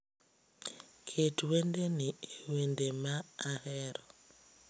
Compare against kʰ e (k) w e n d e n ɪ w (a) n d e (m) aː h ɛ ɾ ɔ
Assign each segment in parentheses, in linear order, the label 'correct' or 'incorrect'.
incorrect: t, incorrect: e, correct

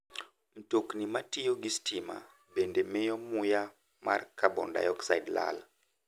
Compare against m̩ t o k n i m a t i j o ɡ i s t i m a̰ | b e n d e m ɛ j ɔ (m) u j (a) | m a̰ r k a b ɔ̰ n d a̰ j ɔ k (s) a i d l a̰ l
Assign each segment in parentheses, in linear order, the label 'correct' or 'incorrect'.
correct, correct, correct

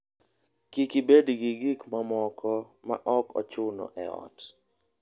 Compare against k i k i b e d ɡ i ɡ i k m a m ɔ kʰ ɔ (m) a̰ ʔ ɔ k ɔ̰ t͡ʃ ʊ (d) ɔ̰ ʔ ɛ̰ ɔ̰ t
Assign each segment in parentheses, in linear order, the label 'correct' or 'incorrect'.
correct, incorrect: n

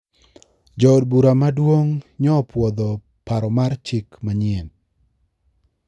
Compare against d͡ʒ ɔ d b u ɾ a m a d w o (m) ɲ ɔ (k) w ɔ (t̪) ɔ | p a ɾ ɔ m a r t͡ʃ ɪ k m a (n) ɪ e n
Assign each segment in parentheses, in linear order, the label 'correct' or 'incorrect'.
incorrect: ŋ, incorrect: p, incorrect: d̪, incorrect: ɲ

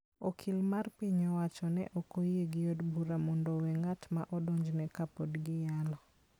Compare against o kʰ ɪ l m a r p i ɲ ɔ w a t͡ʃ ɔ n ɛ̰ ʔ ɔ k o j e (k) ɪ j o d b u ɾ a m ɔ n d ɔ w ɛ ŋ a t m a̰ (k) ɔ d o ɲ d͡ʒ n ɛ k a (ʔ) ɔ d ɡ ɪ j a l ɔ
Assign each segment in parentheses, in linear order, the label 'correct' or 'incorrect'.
incorrect: ɡ, incorrect: ʔ, incorrect: p

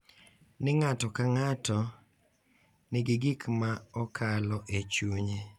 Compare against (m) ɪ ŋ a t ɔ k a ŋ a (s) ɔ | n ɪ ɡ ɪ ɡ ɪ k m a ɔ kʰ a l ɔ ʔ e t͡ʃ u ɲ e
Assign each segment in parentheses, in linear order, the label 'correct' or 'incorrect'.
incorrect: n, incorrect: t

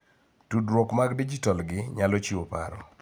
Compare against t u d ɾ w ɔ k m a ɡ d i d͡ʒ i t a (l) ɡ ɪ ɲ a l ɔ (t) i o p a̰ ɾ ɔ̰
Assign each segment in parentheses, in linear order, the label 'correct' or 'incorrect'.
correct, incorrect: t͡ʃ

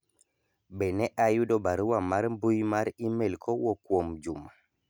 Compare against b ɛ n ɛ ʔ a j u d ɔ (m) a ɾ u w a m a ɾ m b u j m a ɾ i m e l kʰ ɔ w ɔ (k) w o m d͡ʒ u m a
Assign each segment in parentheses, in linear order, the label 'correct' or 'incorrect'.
incorrect: b, correct

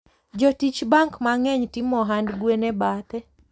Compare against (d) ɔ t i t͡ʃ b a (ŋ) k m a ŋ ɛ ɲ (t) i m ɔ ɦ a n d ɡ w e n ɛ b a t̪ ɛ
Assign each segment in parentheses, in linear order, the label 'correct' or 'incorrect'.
incorrect: d͡ʒ, correct, correct

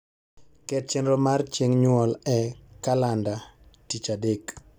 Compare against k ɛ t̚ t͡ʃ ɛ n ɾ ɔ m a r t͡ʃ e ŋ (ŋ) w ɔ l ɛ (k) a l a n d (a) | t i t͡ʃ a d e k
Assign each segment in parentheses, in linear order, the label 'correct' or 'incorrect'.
incorrect: ɲ, correct, correct

